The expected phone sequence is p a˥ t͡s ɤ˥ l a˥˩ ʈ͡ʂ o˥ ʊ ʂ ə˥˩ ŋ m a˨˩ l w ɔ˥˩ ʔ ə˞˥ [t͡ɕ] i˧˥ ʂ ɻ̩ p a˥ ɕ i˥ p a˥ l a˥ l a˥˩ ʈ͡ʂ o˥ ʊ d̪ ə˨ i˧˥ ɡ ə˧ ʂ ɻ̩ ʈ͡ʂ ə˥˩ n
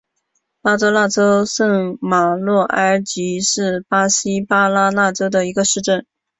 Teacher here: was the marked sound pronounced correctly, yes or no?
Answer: yes